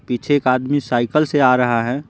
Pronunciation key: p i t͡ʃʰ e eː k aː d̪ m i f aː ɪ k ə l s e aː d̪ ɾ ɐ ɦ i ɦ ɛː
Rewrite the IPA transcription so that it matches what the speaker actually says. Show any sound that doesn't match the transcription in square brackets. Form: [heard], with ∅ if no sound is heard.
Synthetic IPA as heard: p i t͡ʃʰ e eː k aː d̪ m i [s] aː ɪ k ə l s e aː [∅] ɾ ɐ ɦ [a] ɦ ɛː